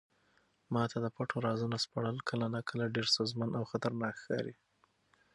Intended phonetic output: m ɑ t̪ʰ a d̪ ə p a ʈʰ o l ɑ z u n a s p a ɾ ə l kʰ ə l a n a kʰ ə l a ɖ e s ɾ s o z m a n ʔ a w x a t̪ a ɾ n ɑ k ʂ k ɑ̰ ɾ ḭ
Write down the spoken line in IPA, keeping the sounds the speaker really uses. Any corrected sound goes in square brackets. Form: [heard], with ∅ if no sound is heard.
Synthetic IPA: m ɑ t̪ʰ a d̪ ə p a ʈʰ o [ɾ] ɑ z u n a s p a [ɽ] ə l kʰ ə l a n a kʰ ə l a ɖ e [∅] ɾ s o z m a n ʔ a w x a t̪ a ɾ n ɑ k [x] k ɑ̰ ɾ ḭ